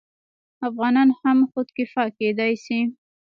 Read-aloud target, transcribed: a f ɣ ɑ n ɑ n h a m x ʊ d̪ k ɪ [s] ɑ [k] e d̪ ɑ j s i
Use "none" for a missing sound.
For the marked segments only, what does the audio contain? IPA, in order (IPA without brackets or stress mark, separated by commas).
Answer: f, k